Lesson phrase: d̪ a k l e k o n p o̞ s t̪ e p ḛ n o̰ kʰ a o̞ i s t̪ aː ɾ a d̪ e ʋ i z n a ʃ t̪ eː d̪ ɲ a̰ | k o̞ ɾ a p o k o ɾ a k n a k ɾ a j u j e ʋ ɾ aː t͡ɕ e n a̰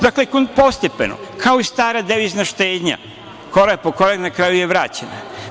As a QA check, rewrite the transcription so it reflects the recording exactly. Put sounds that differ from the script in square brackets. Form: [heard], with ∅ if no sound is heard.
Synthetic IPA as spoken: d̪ a k l e k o n p o̞ s t̪ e p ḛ n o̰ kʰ a o̞ i s t̪ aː ɾ a d̪ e ʋ i z n a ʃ t̪ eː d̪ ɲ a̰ | k o̞ ɾ a p o k o ɾ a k n a k ɾ a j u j e ʋ ɾ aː t͡ɕ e n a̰